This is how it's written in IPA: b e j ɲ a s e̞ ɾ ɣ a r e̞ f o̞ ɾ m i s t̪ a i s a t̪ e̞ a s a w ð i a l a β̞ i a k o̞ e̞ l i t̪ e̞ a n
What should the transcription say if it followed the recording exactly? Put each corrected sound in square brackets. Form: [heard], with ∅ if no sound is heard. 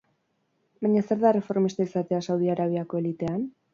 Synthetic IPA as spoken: b [a] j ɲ a s e̞ ɾ [ð] a r e̞ f o̞ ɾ m i s t̪ a i s a t̪ e̞ a s a w ð i a [ɾ] a β̞ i a k o̞ e̞ l i t̪ e̞ a n

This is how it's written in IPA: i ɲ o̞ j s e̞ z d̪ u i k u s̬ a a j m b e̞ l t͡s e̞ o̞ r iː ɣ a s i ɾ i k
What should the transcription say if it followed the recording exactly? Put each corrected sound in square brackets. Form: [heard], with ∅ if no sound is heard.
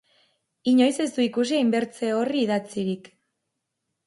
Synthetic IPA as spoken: i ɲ o̞ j s e̞ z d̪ u i k u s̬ [i] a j m b e̞ [ɾ] t͡s e̞ o̞ r iː [ð] a [t͡s] i ɾ i k

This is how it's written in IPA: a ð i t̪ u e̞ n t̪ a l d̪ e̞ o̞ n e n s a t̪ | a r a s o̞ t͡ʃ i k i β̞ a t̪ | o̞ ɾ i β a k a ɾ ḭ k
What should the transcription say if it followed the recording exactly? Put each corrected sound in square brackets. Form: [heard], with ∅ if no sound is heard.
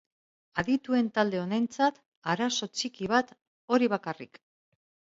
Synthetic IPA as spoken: a ð i t̪ u e̞ n t̪ a l d̪ e̞ o̞ n e n [t͡s] a t̪ | a [ɾ] a s o̞ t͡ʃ i k i β̞ a t̪ | o̞ ɾ i β a k a [r] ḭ k

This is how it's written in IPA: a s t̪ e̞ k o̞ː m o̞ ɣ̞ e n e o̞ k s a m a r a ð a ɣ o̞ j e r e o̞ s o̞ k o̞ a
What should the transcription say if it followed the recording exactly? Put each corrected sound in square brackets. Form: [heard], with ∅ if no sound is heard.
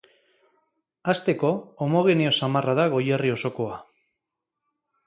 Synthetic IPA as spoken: a s t̪ e̞ k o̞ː m o̞ ɣ̞ e n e o̞ [∅] s a m a r a ð a ɣ o̞ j e r [i] o̞ s o̞ k o̞ a

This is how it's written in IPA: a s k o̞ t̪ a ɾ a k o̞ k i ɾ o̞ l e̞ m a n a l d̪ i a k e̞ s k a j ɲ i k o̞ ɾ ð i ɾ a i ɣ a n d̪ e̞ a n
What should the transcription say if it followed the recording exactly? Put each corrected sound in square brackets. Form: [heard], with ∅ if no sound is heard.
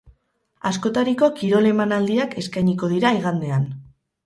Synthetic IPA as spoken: a s k o̞ t̪ a ɾ [i] k o̞ k i ɾ o̞ l e̞ m a n a l d̪ i a k e̞ s k a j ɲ i k o̞ [∅] ð i ɾ a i ɣ a n d̪ e̞ a n

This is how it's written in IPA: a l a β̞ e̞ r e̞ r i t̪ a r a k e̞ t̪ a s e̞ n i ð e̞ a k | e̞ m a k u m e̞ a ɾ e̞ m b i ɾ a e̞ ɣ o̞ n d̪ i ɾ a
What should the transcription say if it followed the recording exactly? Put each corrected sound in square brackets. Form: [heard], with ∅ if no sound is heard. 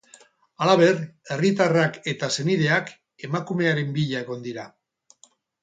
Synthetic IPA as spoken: a l a β̞ e̞ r e̞ r i t̪ a r a k e̞ t̪ a s e̞ n i ð e̞ a k | e̞ m a k u m e̞ a ɾ e̞ m b i [ʎ] a e̞ ɣ o̞ n d̪ i ɾ a

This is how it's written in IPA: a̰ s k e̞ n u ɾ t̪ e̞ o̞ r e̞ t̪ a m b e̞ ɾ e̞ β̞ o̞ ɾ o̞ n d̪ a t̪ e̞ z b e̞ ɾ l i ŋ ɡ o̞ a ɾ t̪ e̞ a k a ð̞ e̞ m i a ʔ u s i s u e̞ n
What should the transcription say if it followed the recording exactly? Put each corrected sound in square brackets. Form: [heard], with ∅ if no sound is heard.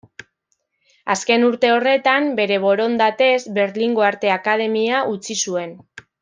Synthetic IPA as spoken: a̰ s k e̞ n u ɾ t̪ e̞ o̞ r e̞ t̪ a m b e̞ ɾ e̞ β̞ o̞ ɾ o̞ n d̪ a t̪ e̞ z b e̞ ɾ l i ŋ ɡ o̞ a ɾ t̪ e̞ a k a ð̞ e̞ m i a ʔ u [t͡s] i s u e̞ n

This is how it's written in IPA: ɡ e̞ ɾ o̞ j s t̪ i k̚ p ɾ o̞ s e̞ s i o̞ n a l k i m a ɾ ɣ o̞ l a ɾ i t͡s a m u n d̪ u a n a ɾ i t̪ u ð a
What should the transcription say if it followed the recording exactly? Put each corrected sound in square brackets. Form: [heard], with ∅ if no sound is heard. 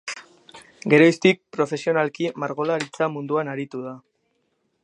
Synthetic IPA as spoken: ɡ e̞ ɾ o̞ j s t̪ i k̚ p ɾ o̞ [f] e̞ s i o̞ n a l k i m a ɾ ɣ o̞ l a ɾ i t͡s a m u n d̪ u a n a ɾ i t̪ u ð a

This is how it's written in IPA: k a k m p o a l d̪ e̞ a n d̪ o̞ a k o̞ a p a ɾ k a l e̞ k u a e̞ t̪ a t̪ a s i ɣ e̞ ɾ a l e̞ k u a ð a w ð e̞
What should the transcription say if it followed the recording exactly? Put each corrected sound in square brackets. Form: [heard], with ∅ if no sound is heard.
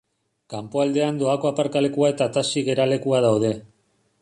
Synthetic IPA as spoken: k a [∅] m p o a l d̪ e̞ a n d̪ o̞ a k o̞ a p a ɾ k a l e̞ k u a e̞ t̪ a t̪ a s i ɣ e̞ ɾ a l e̞ k u a ð a w ð e̞

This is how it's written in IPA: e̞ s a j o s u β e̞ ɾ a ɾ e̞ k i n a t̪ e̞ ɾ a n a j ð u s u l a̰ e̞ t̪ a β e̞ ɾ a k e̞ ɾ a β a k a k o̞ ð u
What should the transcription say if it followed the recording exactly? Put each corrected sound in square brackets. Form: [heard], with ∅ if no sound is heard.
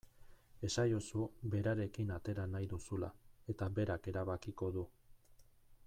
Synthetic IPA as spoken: e̞ s a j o s u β e̞ ɾ a ɾ e̞ k i n a t̪ e̞ ɾ a n a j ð u s u l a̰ e̞ t̪ a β e̞ ɾ a k e̞ ɾ a β a k [i] k o̞ ð u

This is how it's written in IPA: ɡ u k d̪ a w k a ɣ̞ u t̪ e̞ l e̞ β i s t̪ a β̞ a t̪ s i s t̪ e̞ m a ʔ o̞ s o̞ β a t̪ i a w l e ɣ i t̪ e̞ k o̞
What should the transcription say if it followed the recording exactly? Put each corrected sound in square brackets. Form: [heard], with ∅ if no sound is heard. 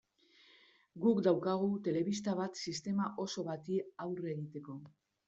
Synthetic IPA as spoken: ɡ u k d̪ a w k a ɣ̞ u t̪ e̞ l e̞ β i s t̪ a β̞ a t̪ s i s t̪ e̞ m a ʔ o̞ s o̞ β a t̪ i a w [r] e ɣ i t̪ e̞ k o̞

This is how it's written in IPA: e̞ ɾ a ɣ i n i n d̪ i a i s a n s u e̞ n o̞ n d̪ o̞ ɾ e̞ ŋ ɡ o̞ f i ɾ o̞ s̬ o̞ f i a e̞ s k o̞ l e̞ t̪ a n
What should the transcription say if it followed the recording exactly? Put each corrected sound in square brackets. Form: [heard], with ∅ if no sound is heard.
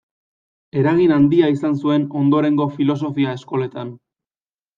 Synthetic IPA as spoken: e̞ ɾ a ɣ i n [a] n d̪ i a i s a n s u e̞ n o̞ n d̪ o̞ ɾ e̞ ŋ ɡ o̞ f i [l] o̞ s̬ o̞ f i a e̞ s k o̞ l e̞ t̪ a n

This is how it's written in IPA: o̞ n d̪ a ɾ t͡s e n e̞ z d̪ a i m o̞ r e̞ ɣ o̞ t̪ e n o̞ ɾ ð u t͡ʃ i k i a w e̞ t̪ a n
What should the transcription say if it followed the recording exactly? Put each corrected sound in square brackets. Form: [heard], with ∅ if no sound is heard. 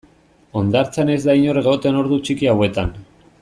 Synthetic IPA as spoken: o̞ n d̪ a ɾ t͡s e n e̞ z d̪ a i [ɲ] o̞ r e̞ ɣ o̞ t̪ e n o̞ ɾ ð u t͡ʃ i k i a w e̞ t̪ a n

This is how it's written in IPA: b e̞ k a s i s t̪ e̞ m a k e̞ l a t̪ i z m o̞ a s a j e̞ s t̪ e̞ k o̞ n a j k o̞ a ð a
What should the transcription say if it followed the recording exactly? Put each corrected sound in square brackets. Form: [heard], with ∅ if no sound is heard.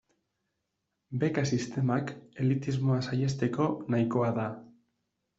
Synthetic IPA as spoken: b e̞ k a s i s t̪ e̞ m a k e̞ l [i] t̪ i z m o̞ a s a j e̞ s t̪ e̞ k o̞ n a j k o̞ a ð a

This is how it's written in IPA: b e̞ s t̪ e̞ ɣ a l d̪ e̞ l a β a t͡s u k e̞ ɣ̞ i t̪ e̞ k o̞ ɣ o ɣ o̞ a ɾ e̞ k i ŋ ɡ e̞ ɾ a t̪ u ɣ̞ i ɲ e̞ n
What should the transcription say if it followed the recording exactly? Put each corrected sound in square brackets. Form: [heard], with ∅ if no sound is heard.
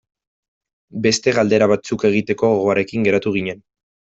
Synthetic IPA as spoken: b e̞ s t̪ e̞ ɣ a l d̪ e̞ [ɾ] a β a t͡s u k e̞ ɣ̞ i t̪ e̞ k o̞ ɣ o ɣ o̞ a ɾ e̞ k i ŋ ɡ e̞ ɾ a t̪ u ɣ̞ i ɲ e̞ n

